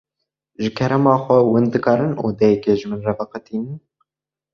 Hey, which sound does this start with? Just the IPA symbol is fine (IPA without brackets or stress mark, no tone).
ʒ